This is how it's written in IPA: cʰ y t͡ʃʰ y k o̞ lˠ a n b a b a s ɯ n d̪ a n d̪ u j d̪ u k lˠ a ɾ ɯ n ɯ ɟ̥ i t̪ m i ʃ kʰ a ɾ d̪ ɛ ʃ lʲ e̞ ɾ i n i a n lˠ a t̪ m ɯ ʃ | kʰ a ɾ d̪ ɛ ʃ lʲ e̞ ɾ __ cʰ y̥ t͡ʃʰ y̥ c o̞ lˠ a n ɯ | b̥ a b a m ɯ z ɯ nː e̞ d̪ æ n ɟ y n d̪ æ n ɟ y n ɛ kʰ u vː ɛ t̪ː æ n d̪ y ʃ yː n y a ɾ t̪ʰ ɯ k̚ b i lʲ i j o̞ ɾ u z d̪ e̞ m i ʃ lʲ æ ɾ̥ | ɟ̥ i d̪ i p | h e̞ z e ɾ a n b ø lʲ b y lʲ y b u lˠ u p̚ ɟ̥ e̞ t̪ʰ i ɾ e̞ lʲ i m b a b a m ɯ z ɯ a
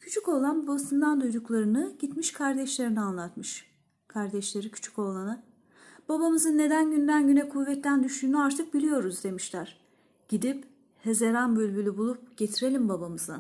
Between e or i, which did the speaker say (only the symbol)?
i